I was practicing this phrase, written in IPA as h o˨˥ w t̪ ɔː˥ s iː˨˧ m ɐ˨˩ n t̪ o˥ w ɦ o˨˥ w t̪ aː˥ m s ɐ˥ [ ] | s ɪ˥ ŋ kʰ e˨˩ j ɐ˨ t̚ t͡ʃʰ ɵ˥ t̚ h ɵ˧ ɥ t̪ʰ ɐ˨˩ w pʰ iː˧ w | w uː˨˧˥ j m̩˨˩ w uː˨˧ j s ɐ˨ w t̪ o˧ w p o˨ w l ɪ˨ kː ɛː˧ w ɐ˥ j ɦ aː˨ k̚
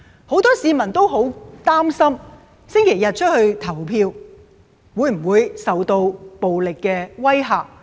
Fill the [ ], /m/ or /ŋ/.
m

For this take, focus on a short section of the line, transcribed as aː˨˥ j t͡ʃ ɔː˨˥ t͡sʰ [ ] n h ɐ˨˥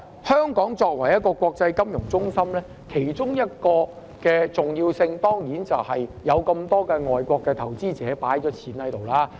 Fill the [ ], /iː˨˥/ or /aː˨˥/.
iː˨˥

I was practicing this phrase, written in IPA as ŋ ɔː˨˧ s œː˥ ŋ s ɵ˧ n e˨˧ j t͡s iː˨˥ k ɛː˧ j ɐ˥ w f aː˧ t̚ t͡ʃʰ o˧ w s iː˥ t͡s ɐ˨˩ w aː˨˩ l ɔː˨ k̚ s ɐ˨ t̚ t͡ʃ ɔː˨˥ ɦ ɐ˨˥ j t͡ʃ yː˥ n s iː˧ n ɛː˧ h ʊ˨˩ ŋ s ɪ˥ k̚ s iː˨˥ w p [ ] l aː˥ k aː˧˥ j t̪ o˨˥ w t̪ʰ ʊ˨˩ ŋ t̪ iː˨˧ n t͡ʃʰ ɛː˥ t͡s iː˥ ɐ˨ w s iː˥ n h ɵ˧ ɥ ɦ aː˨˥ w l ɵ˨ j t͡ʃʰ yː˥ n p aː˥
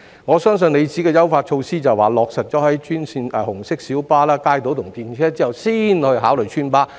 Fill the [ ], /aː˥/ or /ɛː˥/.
aː˥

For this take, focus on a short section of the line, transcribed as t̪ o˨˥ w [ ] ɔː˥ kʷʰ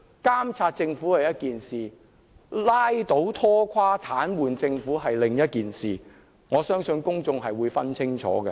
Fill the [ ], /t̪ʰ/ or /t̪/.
t̪ʰ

